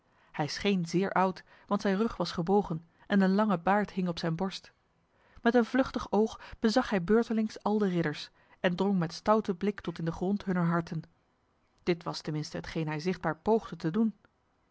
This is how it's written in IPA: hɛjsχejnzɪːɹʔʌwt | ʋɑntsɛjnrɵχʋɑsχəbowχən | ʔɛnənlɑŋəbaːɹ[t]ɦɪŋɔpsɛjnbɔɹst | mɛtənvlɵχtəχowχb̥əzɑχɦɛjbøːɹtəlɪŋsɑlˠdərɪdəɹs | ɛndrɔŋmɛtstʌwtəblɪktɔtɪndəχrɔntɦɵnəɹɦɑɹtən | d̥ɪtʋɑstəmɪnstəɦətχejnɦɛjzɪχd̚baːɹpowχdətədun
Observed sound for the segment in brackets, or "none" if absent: t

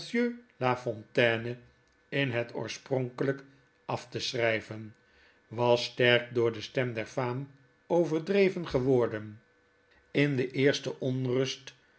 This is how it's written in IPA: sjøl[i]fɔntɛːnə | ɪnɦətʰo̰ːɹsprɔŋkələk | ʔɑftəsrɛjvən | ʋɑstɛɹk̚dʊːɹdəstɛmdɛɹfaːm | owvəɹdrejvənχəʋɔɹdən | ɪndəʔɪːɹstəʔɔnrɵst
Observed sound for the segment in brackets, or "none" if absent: a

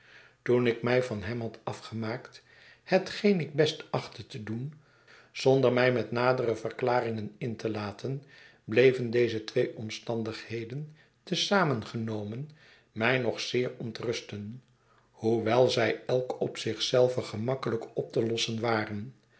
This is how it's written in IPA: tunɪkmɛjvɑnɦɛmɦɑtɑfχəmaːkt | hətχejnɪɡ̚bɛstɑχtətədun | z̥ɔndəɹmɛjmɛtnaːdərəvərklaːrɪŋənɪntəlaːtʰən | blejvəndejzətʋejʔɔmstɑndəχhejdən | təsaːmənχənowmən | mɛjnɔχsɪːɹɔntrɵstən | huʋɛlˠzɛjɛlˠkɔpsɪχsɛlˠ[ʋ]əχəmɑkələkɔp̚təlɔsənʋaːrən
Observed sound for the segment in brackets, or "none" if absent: v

